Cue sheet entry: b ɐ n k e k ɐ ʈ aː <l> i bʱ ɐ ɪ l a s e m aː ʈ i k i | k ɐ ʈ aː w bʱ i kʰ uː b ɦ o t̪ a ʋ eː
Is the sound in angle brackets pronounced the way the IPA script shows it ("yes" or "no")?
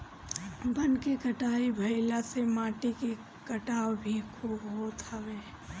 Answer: no